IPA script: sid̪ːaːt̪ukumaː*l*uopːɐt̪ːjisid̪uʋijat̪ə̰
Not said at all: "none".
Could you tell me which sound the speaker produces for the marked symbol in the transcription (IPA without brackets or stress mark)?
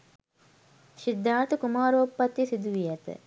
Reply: ɾ